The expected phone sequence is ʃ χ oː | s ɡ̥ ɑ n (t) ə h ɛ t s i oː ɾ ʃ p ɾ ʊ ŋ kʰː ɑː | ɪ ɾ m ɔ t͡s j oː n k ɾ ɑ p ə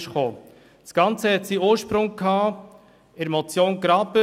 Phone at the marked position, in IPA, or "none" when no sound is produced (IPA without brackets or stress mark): t͡s